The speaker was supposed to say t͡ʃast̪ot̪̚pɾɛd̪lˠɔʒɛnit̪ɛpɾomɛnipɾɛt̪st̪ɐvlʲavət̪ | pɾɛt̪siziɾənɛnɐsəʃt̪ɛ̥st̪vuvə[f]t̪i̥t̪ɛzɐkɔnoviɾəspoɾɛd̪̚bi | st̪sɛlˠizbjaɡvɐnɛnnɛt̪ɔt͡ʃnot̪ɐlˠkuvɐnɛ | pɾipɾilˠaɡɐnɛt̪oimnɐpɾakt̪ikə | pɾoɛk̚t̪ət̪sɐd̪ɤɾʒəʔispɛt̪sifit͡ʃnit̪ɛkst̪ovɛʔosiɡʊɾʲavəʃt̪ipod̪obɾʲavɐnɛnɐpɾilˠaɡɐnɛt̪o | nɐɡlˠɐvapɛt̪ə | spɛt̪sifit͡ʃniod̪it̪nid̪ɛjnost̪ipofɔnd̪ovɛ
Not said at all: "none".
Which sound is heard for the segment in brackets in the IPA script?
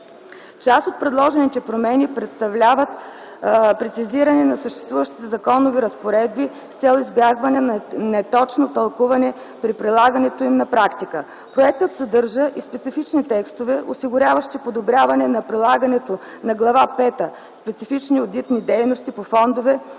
ʃ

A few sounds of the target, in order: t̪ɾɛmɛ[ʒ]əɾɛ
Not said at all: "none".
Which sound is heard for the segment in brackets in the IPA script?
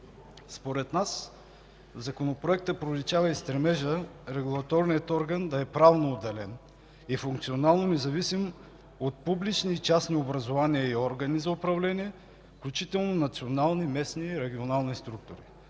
ʒ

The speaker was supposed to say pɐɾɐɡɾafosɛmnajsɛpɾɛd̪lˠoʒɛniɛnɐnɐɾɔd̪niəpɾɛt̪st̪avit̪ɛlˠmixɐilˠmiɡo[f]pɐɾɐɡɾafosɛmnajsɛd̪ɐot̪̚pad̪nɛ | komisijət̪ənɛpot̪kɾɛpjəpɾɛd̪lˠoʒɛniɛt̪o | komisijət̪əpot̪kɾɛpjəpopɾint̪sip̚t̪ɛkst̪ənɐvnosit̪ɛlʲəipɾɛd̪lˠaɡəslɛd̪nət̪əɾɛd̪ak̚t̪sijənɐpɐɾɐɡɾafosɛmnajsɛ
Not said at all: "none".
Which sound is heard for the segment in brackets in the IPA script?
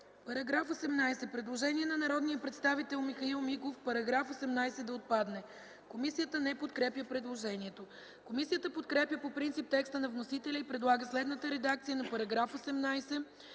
f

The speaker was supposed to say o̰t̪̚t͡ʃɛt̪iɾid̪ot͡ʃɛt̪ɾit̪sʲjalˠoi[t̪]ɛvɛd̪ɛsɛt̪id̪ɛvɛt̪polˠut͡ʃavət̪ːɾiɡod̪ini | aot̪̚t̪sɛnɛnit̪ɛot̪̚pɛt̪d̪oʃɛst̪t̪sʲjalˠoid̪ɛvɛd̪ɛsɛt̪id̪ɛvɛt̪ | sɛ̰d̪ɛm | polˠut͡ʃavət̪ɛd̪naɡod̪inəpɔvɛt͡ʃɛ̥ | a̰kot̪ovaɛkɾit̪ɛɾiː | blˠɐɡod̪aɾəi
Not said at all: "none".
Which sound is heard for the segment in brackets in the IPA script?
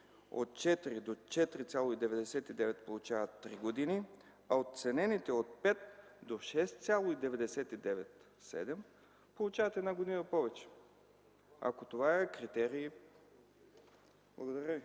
d̪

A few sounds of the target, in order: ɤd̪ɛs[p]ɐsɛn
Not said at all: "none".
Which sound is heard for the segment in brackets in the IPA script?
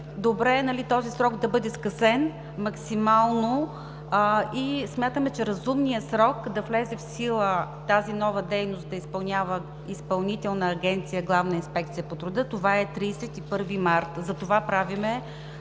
k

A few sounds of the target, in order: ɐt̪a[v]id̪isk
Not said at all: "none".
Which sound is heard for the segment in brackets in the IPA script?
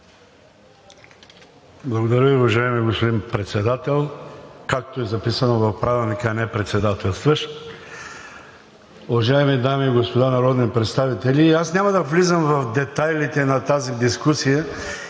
z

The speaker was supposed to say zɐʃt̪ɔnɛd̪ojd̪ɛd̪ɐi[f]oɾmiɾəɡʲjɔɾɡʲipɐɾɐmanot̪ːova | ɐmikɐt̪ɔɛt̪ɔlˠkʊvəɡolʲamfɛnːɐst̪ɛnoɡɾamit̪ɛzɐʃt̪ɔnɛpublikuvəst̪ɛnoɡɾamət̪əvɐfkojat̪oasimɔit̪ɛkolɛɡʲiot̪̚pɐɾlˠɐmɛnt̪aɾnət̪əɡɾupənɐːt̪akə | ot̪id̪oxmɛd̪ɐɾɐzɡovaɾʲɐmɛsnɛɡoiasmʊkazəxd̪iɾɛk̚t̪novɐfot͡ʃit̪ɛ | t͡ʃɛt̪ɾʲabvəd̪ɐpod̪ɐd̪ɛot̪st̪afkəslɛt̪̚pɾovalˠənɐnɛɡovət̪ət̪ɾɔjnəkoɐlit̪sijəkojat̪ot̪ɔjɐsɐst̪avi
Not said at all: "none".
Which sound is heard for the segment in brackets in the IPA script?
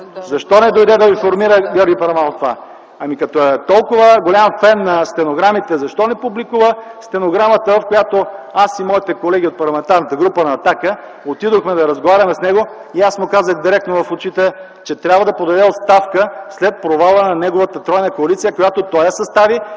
f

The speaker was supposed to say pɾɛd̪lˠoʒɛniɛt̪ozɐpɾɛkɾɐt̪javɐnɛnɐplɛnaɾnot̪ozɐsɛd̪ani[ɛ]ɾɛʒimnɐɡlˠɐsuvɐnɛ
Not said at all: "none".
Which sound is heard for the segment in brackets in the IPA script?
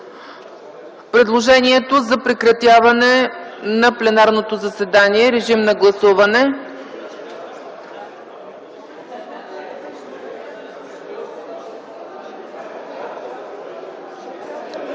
ɛ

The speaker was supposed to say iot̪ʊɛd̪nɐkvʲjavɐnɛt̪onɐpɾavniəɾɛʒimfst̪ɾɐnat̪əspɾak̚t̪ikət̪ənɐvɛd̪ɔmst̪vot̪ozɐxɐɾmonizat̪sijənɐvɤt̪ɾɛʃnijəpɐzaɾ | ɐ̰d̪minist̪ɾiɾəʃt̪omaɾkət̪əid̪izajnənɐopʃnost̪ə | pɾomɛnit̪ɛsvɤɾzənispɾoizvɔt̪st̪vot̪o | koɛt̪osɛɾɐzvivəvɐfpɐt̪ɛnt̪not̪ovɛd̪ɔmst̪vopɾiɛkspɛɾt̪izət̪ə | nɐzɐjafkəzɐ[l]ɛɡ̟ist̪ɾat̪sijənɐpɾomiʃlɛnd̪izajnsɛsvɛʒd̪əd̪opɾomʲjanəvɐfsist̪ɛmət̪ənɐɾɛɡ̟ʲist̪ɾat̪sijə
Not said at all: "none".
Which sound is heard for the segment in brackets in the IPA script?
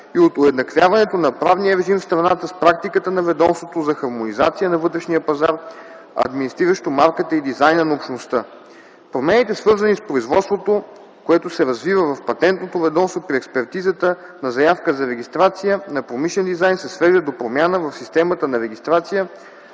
ɾ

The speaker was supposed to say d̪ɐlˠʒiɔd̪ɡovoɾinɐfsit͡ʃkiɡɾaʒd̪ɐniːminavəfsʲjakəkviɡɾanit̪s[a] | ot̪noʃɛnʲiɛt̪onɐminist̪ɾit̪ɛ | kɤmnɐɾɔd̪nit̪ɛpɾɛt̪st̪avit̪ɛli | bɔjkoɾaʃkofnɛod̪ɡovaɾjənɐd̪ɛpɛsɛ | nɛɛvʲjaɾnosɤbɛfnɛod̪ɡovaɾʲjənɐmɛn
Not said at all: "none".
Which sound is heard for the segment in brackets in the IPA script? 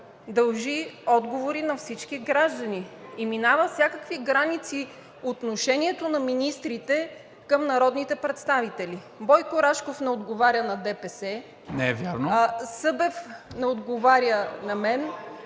i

